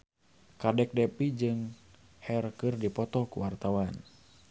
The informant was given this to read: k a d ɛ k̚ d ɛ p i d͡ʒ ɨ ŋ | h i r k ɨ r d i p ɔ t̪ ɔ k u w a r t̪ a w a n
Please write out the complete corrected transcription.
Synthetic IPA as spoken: k a d ɛ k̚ d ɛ p i d͡ʒ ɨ ŋ | h ɛ r k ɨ r d i p ɔ t̪ ɔ k u w a r t̪ a w a n